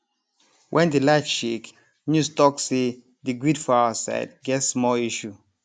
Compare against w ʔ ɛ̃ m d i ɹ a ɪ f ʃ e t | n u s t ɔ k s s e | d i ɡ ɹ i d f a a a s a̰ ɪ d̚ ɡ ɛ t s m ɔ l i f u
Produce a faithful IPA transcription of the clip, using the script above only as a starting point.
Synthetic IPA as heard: w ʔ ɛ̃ n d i l a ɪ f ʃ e k | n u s t ɔ k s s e | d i ɡ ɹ i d f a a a s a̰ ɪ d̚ ɡ ɛ t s m ɔ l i ʃ u